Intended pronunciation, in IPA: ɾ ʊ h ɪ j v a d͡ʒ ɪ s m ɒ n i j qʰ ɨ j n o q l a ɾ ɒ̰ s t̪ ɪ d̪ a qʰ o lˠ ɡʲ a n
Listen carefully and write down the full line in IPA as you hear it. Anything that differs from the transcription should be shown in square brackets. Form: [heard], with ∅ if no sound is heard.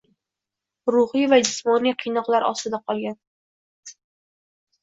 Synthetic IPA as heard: ɾ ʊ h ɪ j v a d͡ʒ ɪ s m ɒ n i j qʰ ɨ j n [ɒ] q l a ɾ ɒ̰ s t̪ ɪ d̪ a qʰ [ɒ] lˠ ɡʲ a n